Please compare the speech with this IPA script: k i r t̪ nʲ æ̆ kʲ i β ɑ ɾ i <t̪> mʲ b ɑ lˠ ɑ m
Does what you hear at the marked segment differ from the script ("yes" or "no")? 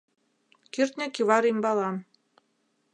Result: yes